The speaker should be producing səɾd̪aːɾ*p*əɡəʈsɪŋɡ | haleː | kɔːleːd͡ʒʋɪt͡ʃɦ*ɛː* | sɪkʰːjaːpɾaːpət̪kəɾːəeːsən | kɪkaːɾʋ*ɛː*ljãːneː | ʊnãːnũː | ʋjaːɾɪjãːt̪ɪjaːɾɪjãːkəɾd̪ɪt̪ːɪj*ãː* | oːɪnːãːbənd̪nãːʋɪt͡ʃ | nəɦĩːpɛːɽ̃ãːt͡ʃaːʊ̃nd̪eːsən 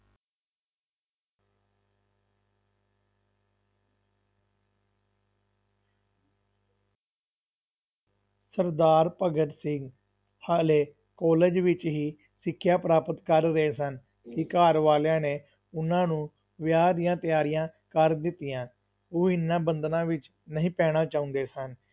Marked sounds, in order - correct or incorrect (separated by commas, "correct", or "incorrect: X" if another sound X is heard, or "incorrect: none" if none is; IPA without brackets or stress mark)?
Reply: correct, incorrect: iː, incorrect: aː, correct